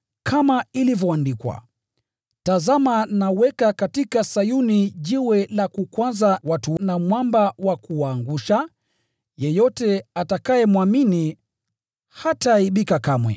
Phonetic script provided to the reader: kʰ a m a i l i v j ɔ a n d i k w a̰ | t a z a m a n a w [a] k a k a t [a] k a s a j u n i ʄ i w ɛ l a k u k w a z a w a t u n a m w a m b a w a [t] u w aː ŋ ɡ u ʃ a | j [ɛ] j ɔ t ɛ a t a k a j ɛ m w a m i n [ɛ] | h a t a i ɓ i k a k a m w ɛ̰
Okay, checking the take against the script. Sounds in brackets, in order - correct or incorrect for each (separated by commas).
incorrect, incorrect, incorrect, correct, incorrect